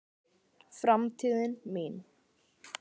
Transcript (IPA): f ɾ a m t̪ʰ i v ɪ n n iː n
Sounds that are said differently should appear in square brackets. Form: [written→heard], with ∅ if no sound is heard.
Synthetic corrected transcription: f ɾ a m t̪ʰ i [v→ð] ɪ n [n→m] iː n

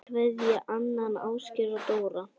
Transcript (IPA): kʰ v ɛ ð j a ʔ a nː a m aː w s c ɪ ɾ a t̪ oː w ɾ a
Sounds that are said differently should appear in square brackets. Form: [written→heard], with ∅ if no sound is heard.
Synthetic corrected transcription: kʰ v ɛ ð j a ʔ a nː a [m→n] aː w s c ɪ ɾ a t̪ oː w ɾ a

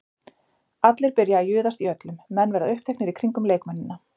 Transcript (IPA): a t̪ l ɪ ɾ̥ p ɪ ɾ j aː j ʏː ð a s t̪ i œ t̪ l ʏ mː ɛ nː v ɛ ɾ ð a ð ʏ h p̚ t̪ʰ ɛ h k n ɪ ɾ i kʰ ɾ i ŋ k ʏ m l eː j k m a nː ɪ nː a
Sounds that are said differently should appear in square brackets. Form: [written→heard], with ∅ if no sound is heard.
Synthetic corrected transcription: a t̪ l ɪ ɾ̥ p ɪ ɾ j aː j ʏː ð a s t̪ i œ t̪ l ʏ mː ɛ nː v ɛ ɾ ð a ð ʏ h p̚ t̪ʰ ɛ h k n ɪ ɾ i kʰ ɾ i ŋ k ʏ m l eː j k m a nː ɪ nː a

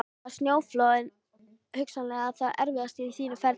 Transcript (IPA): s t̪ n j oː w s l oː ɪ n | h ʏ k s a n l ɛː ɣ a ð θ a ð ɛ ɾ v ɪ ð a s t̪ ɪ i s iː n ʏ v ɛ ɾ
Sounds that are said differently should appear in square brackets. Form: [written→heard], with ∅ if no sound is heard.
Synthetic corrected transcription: s t̪ n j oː w [s→f] l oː ɪ n | h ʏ k s a n l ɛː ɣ a ð θ a ð ɛ ɾ v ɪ ð a s t̪ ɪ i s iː n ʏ [v→f] ɛ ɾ

